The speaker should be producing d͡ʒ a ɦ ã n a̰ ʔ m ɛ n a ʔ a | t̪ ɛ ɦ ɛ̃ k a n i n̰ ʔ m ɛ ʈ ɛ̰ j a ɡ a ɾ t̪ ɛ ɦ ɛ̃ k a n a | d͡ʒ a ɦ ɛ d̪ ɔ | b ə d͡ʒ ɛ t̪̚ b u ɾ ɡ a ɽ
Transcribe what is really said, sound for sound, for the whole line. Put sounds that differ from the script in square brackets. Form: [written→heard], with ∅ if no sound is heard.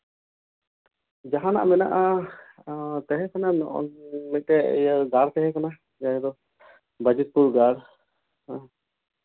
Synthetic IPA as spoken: d͡ʒ a ɦ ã n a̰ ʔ m ɛ n a ʔ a | t̪ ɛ ɦ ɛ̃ k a n [i→a] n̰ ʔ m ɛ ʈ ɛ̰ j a ɡ a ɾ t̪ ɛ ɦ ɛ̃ k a n a | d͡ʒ a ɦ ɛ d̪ ɔ | b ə d͡ʒ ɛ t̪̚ [b→p] u ɾ ɡ a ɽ

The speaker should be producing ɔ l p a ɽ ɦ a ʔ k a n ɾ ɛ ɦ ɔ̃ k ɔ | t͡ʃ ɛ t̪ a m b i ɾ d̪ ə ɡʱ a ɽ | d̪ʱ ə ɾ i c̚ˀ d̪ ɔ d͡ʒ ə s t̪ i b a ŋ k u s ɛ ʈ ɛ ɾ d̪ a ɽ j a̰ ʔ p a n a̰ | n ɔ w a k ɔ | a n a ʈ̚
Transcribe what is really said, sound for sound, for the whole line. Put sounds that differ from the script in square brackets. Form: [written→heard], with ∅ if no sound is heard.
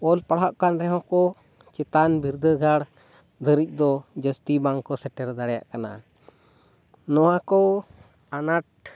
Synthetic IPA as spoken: ɔ l p a ɽ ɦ a ʔ k a n ɾ ɛ ɦ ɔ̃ k ɔ | t͡ʃ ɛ t̪ a [m→n] b i ɾ d̪ ə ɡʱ a ɽ | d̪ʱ ə ɾ i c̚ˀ d̪ ɔ d͡ʒ ə s t̪ i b a ŋ k [u→ɔ] s ɛ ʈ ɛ ɾ d̪ a ɽ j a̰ ʔ [p→k] a n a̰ | n ɔ w a k ɔ | a n a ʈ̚

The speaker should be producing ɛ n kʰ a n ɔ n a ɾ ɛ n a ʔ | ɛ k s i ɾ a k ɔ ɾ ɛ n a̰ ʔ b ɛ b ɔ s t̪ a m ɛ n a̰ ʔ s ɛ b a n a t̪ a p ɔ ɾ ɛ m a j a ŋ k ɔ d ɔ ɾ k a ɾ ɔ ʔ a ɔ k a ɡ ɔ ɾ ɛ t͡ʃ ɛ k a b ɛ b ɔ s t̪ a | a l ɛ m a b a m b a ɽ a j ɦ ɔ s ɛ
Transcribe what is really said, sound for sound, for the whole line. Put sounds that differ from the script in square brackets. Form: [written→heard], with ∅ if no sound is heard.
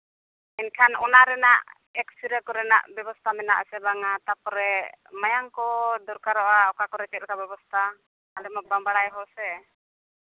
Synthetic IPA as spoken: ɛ n kʰ a n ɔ n a ɾ ɛ n a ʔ | ɛ k s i ɾ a k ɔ ɾ ɛ n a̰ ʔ b ɛ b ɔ s t̪ a m ɛ n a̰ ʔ s ɛ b a [n→ŋ] a t̪ a p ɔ ɾ ɛ m a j a ŋ k ɔ d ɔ ɾ k a ɾ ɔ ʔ a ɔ k a [ɡ→k] ɔ ɾ ɛ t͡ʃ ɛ k a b ɛ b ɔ s t̪ a | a l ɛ m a b a m b a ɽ a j ɦ ɔ s ɛ

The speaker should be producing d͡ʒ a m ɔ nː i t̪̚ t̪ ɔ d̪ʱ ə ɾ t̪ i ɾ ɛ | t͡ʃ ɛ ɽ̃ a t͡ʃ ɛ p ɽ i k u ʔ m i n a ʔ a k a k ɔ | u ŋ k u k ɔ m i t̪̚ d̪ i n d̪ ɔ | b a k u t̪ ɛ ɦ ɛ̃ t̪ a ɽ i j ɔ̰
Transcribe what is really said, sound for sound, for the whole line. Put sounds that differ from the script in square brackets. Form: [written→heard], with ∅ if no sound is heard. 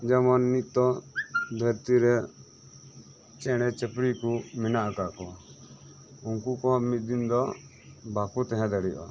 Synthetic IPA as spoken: d͡ʒ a m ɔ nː i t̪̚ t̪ ɔ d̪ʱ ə ɾ t̪ i ɾ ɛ | t͡ʃ ɛ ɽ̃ [a→ɛ] t͡ʃ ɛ p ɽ i k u [ʔ→∅] m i n a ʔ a k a k ɔ | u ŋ k u k ɔ m i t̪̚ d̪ i n d̪ ɔ | b a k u t̪ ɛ ɦ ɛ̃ [t̪→d̪] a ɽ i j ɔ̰

